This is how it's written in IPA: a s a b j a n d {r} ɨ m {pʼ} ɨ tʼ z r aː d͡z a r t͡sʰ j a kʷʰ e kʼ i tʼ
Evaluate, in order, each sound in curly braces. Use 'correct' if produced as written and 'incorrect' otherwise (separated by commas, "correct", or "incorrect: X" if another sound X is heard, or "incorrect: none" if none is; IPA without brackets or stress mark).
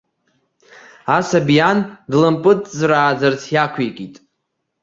incorrect: l, correct